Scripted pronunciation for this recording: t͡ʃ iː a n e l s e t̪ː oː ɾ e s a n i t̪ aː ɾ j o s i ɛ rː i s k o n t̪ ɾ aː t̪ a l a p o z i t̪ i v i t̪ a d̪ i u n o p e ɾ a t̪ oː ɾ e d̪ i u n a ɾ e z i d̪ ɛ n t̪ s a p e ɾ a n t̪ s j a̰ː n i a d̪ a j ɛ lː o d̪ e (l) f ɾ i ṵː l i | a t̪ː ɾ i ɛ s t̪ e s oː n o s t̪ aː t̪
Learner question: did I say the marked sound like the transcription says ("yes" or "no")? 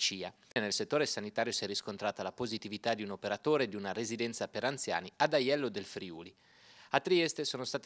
yes